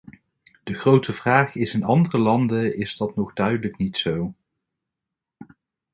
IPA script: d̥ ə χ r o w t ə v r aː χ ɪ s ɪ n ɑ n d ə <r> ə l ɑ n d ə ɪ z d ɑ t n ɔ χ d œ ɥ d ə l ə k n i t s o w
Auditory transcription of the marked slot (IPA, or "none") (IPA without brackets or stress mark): r